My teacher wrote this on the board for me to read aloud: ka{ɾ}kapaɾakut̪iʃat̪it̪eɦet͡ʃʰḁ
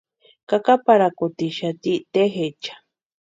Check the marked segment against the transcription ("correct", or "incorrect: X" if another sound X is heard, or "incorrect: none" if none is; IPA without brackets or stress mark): incorrect: none